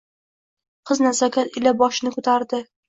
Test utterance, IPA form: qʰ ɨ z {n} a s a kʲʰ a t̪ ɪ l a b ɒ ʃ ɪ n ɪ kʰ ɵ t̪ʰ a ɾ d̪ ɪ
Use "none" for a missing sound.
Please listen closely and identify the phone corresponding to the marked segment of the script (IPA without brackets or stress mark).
n